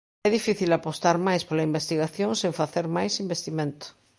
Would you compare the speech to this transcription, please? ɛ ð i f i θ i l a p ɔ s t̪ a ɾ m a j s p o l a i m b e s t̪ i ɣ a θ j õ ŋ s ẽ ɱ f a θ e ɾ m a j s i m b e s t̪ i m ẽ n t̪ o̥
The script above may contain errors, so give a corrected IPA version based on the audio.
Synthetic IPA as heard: ɛ ð i f i θ i l a p o s t̪ a ɾ m a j s p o l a i m b e s t̪ i ɣ a θ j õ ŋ s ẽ ɱ f a θ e ɾ m a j s i m b e s t̪ i m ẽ n t̪ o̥